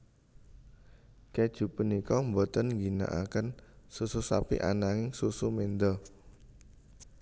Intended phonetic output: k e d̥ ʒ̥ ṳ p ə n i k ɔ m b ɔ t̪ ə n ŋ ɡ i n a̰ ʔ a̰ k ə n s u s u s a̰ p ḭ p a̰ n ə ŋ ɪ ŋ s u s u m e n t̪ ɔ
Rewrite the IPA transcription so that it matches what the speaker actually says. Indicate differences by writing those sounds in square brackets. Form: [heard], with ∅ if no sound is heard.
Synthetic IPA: k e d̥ ʒ̥ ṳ p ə n i k ɔ m b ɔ t̪ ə n ŋ ɡ i n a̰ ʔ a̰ k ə n s u s u s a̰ p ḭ [ʔ] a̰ n [a] ŋ ɪ ŋ s u s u m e n [d̪] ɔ

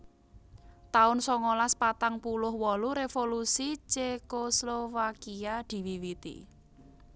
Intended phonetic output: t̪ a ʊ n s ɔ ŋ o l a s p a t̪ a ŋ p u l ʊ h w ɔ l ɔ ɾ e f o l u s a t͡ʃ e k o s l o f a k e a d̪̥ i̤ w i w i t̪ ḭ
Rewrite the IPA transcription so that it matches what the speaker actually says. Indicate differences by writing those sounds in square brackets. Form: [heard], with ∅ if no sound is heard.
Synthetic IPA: t̪ a ʊ n s ɔ ŋ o l a s p a t̪ a ŋ p u l ʊ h w ɔ l [u] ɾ e f o l u s [i] t͡ʃ e k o s l o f a k [i] a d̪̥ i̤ w i w i t̪ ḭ

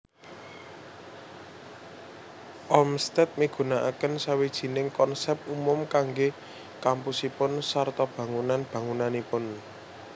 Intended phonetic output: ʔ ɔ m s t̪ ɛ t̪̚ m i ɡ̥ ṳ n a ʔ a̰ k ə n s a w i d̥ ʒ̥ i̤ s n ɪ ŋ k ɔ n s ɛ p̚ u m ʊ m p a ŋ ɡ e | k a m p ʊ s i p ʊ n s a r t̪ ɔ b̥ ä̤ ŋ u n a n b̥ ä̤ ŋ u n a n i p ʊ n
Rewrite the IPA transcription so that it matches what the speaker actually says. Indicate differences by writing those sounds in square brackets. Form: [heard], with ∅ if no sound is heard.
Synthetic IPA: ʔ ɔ m s t̪ ɛ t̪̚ m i ɡ̥ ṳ n a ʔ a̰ k ə n s a w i d̥ ʒ̥ i̤ [∅] n ɪ ŋ k ɔ n s ɛ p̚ u m ʊ m [k] a ŋ ɡ e | k a m p [u] s i p ʊ n s a r t̪ ɔ b̥ ä̤ ŋ u n a n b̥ ä̤ ŋ u n a n i p ʊ n

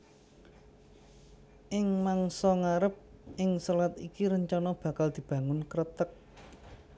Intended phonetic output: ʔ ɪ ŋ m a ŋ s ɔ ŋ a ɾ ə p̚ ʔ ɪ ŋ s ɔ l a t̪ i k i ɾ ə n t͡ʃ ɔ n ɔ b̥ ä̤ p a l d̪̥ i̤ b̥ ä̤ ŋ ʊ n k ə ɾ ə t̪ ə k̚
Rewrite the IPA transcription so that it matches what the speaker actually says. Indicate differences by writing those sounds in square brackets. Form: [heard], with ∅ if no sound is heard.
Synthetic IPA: ʔ ɪ ŋ m a ŋ s ɔ ŋ a ɾ ə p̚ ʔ ɪ ŋ s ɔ l a t̪ i k i ɾ ə [ɲ] t͡ʃ ɔ n ɔ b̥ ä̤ [k] a l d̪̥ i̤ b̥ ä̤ ŋ ʊ n k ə ɾ ə t̪ ə k̚

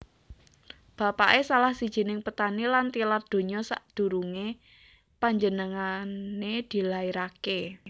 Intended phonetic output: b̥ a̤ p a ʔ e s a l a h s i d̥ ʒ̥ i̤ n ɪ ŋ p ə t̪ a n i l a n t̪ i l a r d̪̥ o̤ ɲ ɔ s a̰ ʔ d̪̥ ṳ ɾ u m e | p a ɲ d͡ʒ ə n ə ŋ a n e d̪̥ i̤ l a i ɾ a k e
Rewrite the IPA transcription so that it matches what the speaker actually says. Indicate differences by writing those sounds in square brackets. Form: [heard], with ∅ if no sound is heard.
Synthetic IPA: b̥ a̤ p a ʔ e s a l a h s i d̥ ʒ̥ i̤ n ɪ ŋ p ə t̪ a n i l a n t̪ i l a r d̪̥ o̤ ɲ ɔ s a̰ ʔ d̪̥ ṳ ɾ u [ŋ] e | p a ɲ d͡ʒ ə n ə ŋ a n e d̪̥ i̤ l a i ɾ a k e

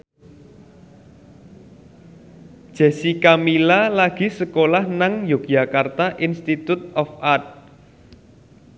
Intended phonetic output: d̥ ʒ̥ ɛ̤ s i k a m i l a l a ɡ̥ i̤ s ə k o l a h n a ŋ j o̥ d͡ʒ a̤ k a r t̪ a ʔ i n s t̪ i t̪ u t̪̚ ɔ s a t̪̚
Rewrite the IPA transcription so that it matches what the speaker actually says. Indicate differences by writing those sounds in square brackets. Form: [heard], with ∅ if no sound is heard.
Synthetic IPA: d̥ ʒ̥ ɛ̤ s i k a m i l a l a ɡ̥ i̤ s ə k o l a h n a ŋ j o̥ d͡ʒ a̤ k a r t̪ a ʔ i n s t̪ i t̪ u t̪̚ ɔ [f] a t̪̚

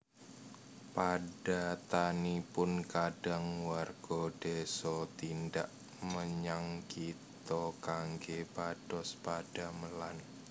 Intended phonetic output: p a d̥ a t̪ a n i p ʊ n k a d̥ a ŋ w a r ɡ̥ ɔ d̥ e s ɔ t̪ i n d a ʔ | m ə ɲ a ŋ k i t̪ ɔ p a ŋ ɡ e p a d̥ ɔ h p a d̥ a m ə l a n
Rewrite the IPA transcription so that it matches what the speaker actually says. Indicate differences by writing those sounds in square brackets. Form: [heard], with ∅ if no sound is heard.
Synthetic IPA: p a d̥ a t̪ a n i p ʊ n k a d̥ a ŋ w a r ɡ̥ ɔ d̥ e s ɔ t̪ i n d a ʔ | m ə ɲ a ŋ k i t̪ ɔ [k] a ŋ ɡ e p a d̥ ɔ [s] p a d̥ a m ə l a n

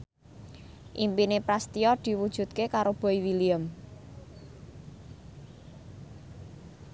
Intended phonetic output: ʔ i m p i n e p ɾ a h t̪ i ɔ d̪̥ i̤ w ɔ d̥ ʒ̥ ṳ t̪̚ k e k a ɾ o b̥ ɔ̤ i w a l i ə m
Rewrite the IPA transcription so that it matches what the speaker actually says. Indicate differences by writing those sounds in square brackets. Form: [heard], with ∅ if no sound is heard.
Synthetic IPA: ʔ i m p i n e p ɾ a [s] t̪ i ɔ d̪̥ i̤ w [u] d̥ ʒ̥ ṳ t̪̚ k e k a ɾ o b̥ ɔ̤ i w [i] l i ə m

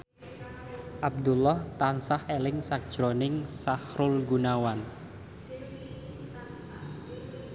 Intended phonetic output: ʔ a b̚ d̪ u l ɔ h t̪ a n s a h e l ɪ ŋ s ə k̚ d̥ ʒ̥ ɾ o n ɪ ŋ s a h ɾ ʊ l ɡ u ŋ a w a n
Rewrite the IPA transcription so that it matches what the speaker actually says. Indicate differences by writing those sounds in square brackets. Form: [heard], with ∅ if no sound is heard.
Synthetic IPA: ʔ a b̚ d̪ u l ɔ h t̪ a n s a h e l ɪ ŋ s [a] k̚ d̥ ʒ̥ ɾ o n ɪ ŋ s a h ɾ ʊ l ɡ u [n] a w a n

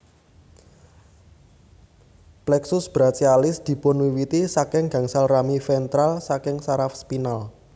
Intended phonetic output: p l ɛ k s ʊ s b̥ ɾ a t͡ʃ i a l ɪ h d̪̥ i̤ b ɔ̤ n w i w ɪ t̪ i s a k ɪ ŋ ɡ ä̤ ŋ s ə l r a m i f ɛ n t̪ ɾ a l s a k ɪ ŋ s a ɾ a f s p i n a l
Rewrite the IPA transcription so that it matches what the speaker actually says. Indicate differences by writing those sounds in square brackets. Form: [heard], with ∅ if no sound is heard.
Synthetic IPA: p l ɛ k s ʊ s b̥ ɾ a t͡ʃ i a l ɪ [s] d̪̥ i̤ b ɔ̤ n w i w [i] t̪ i s a k ɪ ŋ ɡ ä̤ ŋ s [a] l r a m i f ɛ n t̪ ɾ a l s a k ɪ ŋ s a ɾ a f s p i n a l

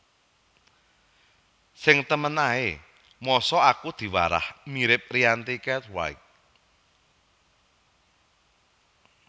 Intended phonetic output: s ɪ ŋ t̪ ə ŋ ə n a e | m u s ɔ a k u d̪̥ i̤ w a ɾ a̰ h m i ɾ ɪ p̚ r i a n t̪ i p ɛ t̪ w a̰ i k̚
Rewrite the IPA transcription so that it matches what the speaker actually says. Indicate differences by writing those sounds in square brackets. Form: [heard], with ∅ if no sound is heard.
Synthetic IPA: s ɪ ŋ t̪ ə [m] ə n a e | m [ɔ] s ɔ a k u d̪̥ i̤ w a ɾ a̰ h m i ɾ ɪ p̚ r i a n t̪ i [k] ɛ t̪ w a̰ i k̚

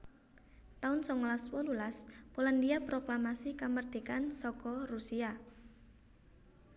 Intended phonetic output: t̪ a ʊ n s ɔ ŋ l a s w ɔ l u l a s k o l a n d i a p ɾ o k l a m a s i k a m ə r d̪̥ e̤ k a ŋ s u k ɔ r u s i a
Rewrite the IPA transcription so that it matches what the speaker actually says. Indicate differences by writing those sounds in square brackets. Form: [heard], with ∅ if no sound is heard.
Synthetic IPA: t̪ a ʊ n s ɔ ŋ l a s w ɔ l u l a s [p] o l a n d i a p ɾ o k l a m a s i k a m ə r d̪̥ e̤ k a [n] s [ɔ] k ɔ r u s i a

